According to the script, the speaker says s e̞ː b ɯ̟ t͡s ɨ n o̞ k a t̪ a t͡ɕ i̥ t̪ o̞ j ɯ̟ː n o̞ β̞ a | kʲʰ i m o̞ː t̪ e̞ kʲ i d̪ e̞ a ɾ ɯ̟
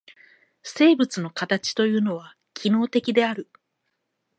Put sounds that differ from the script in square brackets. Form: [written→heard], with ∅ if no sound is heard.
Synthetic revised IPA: s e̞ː b ɯ̟ t͡s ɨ n o̞ k a t̪ a t͡ɕ i̥ t̪ o̞ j ɯ̟ː n o̞ β̞ a | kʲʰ i [m→n] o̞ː t̪ e̞ kʲ i d̪ e̞ a ɾ ɯ̟